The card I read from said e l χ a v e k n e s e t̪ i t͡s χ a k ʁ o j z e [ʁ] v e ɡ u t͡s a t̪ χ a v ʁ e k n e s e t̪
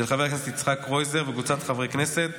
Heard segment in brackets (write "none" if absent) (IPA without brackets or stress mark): ʁ